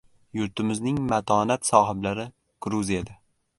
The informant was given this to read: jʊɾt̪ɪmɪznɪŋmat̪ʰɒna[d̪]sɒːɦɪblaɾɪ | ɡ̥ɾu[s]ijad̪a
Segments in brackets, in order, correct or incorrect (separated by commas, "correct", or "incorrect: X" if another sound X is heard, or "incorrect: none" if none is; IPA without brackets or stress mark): incorrect: t̪, incorrect: z